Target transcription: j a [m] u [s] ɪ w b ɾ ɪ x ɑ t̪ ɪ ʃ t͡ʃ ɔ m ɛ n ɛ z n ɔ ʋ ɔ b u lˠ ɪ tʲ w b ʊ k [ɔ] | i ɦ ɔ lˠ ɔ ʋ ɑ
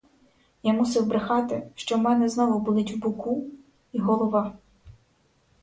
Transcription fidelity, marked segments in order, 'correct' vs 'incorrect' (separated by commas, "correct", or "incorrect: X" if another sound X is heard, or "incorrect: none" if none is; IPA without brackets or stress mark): correct, correct, incorrect: u